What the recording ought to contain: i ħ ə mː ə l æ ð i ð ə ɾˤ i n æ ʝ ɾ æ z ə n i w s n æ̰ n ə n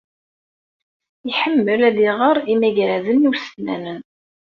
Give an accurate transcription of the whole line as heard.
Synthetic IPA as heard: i ħ ə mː ə l æ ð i ʁ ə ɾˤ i m æ ʝ ɾ æ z ə n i w s n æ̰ n ə n